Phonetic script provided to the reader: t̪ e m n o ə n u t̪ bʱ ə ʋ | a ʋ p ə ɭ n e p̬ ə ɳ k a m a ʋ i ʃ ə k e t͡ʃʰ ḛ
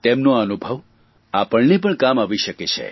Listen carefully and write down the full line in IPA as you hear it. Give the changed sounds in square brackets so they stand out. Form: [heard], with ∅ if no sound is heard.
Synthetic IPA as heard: t̪ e m n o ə n u [∅] bʱ ə ʋ | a [∅] p ə ɭ n e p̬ ə ɳ k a m a ʋ i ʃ ə k e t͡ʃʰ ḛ